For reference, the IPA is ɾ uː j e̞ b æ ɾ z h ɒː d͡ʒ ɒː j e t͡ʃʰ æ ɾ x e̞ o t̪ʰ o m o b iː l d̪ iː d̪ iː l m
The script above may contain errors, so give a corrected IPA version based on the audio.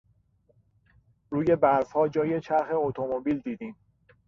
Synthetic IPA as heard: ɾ uː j e̞ b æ ɾ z h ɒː d͡ʒ ɒː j e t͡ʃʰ æ ɾ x e̞ o t̪ʰ o m o b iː l d̪ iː d̪ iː m

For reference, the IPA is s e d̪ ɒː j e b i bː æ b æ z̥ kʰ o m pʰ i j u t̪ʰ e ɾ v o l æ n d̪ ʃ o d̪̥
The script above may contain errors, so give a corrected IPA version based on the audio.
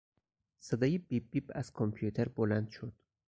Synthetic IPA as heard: s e d̪ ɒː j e b i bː i b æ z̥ kʰ o m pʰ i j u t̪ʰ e ɾ b o l æ n d̪ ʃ o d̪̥

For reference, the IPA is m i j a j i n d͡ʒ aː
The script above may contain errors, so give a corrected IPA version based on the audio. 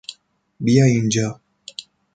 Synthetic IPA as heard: b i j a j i n d͡ʒ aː

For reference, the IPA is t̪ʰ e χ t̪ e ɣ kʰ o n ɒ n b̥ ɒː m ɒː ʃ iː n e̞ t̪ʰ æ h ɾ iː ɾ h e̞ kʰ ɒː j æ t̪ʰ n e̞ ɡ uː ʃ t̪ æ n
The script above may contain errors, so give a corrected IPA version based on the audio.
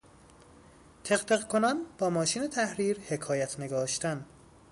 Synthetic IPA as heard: t̪ʰ e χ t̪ e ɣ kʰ o n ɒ n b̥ ɒː m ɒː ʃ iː n e̞ t̪ʰ æ h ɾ iː ɾ h e̞ kʰ ɒː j æ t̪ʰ n e̞ ɡ ɒː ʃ t̪ æ n

